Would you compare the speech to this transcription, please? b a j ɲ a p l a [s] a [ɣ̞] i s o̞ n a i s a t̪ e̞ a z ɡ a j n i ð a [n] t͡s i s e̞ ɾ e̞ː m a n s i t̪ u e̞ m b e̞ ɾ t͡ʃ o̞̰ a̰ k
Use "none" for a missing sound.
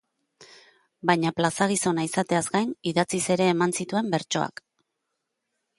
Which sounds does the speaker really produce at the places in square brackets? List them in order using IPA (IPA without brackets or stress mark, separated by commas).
s, ɣ̞, none